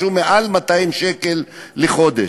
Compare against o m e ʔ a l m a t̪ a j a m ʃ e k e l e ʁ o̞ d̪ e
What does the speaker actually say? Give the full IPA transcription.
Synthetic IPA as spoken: u m e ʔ a l m a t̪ a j i m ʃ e k e lː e χ o̞ d̪ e